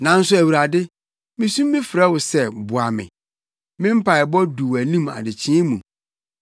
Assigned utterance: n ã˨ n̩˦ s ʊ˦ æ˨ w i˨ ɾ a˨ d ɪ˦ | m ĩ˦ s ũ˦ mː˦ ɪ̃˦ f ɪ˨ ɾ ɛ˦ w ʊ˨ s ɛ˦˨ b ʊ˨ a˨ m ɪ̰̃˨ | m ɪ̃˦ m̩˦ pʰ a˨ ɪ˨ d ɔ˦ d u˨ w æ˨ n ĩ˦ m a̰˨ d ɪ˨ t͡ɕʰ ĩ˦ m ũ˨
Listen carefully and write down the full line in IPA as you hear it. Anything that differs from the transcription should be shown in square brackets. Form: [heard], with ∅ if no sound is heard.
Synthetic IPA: n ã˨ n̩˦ s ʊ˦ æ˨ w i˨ ɾ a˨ d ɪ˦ | m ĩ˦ s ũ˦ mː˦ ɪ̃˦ f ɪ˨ ɾ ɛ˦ w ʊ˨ s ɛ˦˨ b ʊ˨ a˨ m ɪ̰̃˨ | m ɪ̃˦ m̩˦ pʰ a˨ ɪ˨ [b] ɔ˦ d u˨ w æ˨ n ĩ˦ m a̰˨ d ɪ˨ t͡ɕʰ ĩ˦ m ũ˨